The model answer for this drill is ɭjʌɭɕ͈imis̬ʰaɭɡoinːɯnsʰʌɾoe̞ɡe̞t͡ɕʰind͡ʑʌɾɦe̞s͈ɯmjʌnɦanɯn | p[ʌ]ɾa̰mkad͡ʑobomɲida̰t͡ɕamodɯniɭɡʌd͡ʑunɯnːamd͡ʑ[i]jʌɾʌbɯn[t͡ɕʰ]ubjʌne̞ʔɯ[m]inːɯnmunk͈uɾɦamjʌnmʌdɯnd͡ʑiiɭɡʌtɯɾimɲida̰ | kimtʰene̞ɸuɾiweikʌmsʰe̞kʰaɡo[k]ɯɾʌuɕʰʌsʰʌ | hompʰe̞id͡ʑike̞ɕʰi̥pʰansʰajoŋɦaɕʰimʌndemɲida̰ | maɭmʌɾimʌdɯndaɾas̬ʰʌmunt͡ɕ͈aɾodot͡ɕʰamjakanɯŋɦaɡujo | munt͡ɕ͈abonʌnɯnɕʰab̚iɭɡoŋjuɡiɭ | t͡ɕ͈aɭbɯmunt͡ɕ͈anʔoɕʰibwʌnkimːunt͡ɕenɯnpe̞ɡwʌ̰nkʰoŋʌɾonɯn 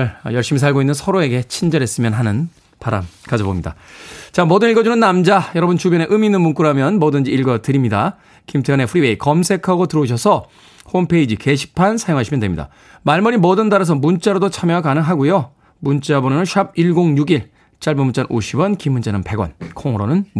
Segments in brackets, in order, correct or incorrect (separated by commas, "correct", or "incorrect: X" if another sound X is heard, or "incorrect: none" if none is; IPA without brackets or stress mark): incorrect: a, incorrect: a, incorrect: t͡ɕ, correct, incorrect: t